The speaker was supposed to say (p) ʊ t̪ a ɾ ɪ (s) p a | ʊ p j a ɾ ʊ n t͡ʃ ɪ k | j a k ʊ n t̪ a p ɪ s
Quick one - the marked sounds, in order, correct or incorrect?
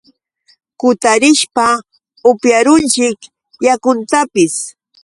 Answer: incorrect, incorrect

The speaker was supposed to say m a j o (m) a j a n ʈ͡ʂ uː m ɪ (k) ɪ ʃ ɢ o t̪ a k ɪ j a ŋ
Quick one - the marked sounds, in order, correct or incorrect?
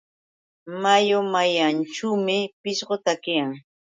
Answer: correct, incorrect

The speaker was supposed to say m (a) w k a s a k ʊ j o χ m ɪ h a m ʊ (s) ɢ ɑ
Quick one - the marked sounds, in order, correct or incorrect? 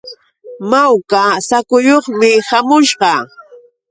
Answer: correct, incorrect

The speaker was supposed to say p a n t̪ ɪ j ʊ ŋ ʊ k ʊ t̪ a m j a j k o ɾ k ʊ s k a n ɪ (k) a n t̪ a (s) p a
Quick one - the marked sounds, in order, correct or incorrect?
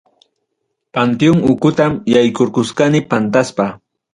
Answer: incorrect, correct

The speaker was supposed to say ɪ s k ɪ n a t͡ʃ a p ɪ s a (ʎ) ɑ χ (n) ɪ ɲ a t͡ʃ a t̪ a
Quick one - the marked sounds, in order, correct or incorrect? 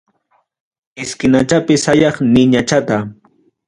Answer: incorrect, correct

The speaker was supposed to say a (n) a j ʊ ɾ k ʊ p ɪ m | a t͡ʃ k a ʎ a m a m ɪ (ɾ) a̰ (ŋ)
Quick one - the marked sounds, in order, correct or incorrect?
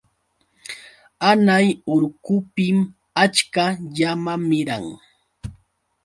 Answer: correct, correct, correct

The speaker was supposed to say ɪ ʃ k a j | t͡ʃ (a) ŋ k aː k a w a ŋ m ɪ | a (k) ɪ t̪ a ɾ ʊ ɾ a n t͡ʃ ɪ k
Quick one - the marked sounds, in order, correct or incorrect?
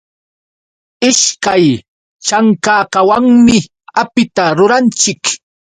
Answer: correct, incorrect

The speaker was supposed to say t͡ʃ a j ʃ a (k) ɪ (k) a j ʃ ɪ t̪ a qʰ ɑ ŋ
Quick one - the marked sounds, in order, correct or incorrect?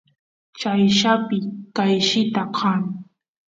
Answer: incorrect, correct

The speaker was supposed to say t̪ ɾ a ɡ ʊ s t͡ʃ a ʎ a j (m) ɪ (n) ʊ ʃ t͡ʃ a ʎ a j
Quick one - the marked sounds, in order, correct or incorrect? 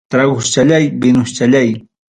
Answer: incorrect, correct

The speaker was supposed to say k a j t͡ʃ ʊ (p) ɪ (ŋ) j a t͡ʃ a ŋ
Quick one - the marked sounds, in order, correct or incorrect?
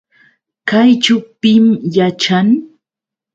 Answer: correct, incorrect

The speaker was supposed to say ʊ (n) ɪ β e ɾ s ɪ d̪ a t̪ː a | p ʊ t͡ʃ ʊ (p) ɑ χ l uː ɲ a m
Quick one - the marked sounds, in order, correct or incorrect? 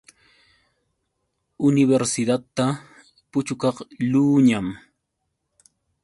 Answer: correct, incorrect

